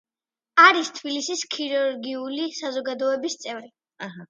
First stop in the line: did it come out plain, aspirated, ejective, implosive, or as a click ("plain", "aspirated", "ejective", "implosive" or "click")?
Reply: aspirated